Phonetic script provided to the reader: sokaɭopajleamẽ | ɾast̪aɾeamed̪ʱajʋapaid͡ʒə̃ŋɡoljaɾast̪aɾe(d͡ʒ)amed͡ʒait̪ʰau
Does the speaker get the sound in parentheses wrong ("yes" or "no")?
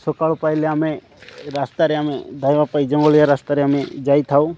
yes